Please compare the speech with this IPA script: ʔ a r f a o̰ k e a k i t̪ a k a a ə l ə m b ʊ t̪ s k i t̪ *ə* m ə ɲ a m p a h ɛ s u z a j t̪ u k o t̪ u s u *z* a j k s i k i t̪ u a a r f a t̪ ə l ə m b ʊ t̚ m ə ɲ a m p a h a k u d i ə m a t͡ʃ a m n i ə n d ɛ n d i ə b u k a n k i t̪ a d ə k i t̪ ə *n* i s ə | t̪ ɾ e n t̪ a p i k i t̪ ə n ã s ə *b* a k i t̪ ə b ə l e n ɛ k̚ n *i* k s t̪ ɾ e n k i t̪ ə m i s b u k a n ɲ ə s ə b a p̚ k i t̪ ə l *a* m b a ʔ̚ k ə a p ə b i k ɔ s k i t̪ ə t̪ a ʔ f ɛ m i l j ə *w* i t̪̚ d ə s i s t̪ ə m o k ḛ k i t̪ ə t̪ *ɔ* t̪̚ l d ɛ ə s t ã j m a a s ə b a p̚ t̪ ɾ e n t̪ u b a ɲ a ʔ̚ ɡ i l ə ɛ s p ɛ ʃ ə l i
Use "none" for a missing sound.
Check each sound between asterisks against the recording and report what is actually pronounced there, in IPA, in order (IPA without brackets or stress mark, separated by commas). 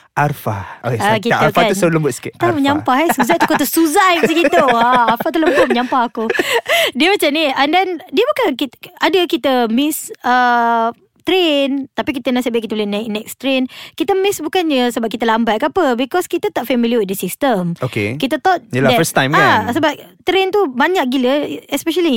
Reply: a, z, m, b, ɛ, a, w, ɔ